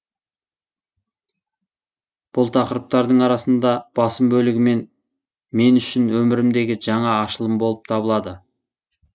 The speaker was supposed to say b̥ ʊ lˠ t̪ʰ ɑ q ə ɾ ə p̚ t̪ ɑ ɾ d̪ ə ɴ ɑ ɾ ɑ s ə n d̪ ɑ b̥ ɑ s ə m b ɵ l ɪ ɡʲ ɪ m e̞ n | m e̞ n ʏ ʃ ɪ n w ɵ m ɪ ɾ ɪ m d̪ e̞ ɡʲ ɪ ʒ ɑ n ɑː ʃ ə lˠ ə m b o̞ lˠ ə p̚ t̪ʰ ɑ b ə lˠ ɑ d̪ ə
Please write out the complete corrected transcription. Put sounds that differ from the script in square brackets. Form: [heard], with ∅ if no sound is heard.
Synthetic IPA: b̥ ʊ lˠ t̪ʰ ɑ q ə ɾ ə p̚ t̪ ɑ ɾ d̪ ə ɴ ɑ ɾ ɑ s ə n d̪ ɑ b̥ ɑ s ə m b ɵ l ɪ ɡʲ ɪ m e̞ n | m e̞ n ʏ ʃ ɪ n w ɵ m ɪ ɾ ɪ m d̪ e̞ ɡʲ ɪ ʒ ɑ [ɴ] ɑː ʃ ə lˠ ə m b o̞ lˠ ə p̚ t̪ʰ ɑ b ə lˠ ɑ d̪ ə